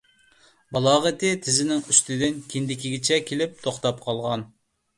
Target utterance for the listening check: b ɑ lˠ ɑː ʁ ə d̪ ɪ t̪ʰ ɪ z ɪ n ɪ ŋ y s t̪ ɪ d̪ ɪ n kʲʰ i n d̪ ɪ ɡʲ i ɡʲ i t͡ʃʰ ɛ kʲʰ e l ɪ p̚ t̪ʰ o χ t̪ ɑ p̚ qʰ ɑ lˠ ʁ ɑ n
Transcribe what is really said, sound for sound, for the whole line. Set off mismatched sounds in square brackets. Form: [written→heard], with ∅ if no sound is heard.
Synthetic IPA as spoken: b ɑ lˠ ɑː ʁ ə [d̪→t̪] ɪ t̪ʰ ɪ z ɪ n ɪ ŋ y s t̪ ɪ d̪ ɪ n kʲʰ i n d̪ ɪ [ɡʲ→kʲ] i ɡʲ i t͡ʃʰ ɛ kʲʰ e l ɪ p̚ t̪ʰ o χ t̪ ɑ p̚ qʰ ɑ lˠ ʁ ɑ n